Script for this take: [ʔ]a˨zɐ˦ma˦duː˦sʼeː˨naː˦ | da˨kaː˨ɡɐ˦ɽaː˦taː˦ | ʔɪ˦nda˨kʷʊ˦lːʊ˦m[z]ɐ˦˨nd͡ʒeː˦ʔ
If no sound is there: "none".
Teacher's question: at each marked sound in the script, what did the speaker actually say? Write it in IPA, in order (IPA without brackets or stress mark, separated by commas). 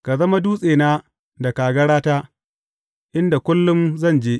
k, z